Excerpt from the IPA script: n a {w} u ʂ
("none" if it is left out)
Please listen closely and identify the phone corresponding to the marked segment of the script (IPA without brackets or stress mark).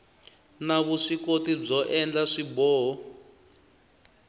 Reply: β